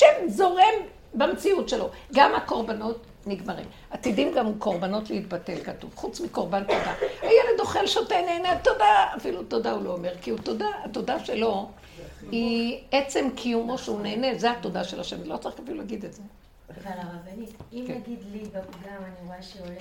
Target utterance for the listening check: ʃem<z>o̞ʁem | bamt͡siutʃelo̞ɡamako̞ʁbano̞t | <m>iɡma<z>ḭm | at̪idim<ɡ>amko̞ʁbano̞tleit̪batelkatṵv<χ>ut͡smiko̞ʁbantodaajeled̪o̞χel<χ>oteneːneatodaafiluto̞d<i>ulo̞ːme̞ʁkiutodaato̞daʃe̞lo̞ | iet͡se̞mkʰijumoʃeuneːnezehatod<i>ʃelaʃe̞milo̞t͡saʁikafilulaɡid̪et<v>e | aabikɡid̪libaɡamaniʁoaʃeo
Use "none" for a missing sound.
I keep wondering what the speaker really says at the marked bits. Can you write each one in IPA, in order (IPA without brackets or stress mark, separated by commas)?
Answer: z, n, ʁ, ɡ, χ, ʃ, a, a, z